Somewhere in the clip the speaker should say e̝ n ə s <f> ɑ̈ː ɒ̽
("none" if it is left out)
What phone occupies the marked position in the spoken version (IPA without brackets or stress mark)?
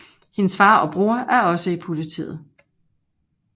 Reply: f